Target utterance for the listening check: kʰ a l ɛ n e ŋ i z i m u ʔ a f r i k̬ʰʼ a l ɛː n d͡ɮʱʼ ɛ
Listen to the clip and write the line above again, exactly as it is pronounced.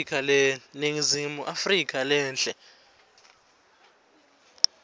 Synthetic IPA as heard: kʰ a l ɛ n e ŋ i z i m u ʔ a f r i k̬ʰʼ a l ɛː n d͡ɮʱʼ ɛ

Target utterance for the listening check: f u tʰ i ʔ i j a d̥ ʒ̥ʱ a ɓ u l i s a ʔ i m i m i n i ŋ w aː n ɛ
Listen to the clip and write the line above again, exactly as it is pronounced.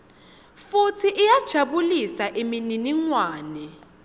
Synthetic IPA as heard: f u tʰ i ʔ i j a d̥ ʒ̥ʱ a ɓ u l i s a ʔ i m i n i n i ŋ w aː n ɛ

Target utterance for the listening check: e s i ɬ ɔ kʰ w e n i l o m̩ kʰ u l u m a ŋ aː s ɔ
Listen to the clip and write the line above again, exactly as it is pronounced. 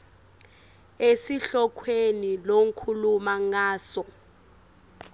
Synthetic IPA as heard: e s i ɬ ɔ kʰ w e n i l o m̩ kʰ u l u m a ŋ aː s ɔ

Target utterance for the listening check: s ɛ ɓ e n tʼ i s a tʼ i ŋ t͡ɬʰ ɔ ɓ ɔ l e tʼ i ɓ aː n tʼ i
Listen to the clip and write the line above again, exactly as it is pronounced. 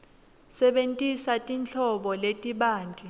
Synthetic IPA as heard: s ɛ ɓ e n tʼ i s a tʼ i n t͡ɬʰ ɔ ɓ ɔ l e tʼ i ɓ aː n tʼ i

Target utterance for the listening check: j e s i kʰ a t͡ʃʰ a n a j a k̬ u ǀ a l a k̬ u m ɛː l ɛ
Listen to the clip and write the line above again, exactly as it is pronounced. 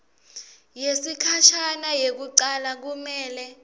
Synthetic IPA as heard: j e s i kʰ a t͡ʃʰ a n a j e k̬ u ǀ a l a k̬ u m ɛː l ɛ

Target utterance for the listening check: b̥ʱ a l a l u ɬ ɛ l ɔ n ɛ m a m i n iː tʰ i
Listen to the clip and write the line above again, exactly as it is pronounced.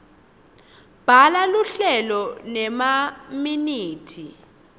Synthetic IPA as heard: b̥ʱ a l a l u ɬ ɛ l ɔ n ɛ m a m i n iː tʰ i

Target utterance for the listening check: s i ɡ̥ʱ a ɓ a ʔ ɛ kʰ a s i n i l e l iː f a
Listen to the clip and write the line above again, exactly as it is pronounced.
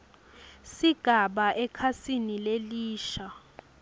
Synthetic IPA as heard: s i ɡ̥ʱ a ɓ a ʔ ɛ kʰ a s i n i l e l iː ʃ a

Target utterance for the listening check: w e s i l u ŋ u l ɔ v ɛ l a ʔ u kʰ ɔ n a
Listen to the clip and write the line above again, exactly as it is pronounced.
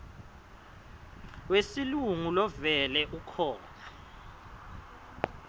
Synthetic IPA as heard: w e s i l u ŋ u l ɔ v ɛ l ɛ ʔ u kʰ ɔː n a

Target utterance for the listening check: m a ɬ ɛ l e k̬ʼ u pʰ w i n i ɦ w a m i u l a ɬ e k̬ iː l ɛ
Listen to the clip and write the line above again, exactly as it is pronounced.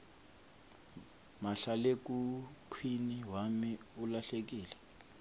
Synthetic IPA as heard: m a ɬ a l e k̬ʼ u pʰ w i n i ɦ w a m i u l a ɬ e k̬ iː l ɛ

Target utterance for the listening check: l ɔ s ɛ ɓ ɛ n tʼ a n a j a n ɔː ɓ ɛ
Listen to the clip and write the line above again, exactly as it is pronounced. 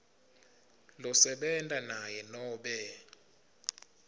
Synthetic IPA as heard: l ɔ s ɛ ɓ ɛ n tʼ a n a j ɛ n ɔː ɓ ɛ

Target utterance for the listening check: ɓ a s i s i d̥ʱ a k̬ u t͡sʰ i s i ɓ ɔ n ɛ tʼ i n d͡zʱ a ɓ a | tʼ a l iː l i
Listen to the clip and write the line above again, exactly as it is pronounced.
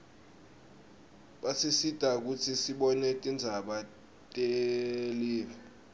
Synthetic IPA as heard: ɓ a s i s i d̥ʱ a k̬ u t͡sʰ i s i ɓ ɔ n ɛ tʼ i n d͡zʱ a ɓ a | tʼ e l iː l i

